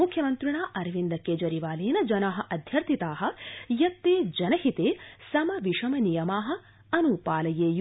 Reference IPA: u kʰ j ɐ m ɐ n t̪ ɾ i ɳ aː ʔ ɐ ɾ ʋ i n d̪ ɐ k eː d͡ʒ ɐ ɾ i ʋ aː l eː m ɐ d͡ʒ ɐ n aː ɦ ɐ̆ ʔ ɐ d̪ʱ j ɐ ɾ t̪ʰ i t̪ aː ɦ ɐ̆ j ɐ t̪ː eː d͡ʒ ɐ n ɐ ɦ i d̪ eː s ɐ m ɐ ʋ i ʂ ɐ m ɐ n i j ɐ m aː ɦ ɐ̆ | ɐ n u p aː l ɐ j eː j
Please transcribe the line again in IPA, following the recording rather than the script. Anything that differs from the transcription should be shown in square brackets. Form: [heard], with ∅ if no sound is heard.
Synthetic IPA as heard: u kʰ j ɐ m ɐ n t̪ ɾ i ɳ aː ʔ ɐ ɾ ʋ i n d̪ ɐ k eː d͡ʒ ɐ ɾ i ʋ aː l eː [n] ɐ d͡ʒ ɐ n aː ɦ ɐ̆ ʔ ɐ d̪ʱ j ɐ ɾ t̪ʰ i t̪ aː ɦ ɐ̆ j ɐ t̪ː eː d͡ʒ ɐ n ɐ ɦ i [t̪] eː s ɐ m ɐ ʋ i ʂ ɐ m ɐ n i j ɐ m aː ɦ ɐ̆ | ɐ n u p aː l ɐ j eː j